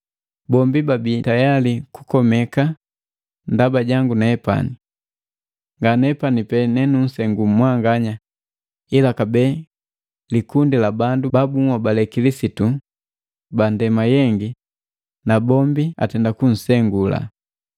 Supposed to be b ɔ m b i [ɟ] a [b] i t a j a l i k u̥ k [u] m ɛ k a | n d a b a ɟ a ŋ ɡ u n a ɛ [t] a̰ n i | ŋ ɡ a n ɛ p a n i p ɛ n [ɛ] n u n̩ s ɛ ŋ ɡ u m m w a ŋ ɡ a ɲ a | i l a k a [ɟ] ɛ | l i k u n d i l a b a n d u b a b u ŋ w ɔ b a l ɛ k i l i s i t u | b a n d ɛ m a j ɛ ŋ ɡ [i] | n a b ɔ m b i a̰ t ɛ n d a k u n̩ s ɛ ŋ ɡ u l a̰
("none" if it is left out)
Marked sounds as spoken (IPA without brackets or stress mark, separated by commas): b, b, ɔ, p, ɛ, b, i